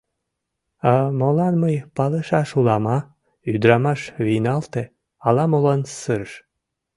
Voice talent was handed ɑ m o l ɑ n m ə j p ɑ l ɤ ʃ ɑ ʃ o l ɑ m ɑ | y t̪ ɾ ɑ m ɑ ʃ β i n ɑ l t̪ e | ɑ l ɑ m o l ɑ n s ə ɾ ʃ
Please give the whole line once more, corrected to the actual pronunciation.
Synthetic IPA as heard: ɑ m o l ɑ n m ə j p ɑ l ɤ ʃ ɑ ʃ u l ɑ m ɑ | y d̪ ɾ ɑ m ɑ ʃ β i n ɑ l t̪ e | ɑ l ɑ m o l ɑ n s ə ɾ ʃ